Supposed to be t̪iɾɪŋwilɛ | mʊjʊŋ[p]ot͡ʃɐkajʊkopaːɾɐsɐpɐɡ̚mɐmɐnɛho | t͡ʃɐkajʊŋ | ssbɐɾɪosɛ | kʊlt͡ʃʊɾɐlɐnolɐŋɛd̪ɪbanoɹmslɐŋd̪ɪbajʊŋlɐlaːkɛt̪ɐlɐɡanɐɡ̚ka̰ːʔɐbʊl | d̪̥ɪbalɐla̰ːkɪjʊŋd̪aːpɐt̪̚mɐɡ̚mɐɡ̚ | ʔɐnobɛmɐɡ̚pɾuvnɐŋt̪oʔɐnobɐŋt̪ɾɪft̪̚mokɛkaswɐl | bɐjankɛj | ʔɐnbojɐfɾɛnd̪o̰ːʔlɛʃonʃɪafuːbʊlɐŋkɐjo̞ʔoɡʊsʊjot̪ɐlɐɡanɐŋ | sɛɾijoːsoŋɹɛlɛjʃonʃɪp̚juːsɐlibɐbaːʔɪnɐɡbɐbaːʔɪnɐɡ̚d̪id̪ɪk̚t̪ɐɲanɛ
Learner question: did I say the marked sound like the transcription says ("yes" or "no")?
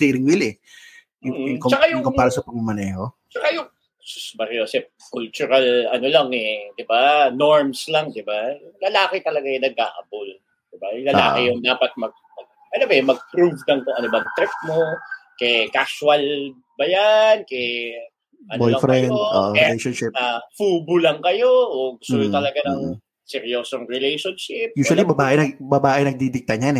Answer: no